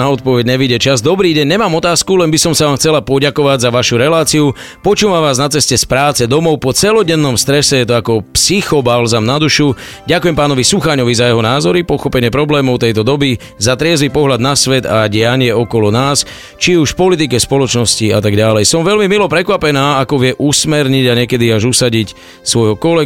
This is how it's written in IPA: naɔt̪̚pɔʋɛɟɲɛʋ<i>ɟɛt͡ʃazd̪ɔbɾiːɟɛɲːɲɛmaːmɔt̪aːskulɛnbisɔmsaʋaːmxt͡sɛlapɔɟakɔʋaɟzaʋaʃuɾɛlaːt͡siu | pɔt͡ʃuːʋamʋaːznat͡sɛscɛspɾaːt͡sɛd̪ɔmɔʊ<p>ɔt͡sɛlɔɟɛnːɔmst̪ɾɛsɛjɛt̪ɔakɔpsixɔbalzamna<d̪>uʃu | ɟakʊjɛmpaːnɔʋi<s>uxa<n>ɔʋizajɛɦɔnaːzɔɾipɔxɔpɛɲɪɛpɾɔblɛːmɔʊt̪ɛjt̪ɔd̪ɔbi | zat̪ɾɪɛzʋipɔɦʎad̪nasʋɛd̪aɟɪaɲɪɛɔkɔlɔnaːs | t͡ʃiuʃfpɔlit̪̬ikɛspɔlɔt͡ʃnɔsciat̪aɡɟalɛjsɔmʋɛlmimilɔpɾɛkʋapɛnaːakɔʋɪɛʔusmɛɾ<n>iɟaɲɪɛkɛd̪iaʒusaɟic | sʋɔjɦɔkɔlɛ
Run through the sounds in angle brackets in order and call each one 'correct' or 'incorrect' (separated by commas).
correct, correct, correct, correct, incorrect, incorrect